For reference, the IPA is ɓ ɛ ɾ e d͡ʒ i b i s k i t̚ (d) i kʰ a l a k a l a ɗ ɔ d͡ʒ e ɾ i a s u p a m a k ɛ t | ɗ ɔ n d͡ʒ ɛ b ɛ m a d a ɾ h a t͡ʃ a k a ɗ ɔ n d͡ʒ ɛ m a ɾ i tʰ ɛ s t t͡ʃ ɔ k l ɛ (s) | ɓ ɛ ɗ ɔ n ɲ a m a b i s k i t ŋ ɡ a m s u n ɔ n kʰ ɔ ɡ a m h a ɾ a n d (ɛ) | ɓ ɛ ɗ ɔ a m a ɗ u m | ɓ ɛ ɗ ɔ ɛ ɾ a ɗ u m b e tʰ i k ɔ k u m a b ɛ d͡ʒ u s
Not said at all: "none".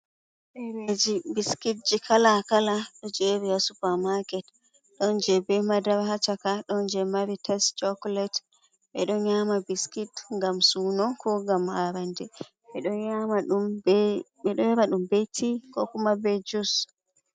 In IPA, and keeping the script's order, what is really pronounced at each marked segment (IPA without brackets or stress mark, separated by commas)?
d͡ʒ, t, ɛ